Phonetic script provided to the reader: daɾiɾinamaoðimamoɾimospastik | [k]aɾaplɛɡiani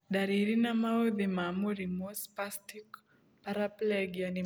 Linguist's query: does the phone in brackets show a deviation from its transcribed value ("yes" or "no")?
yes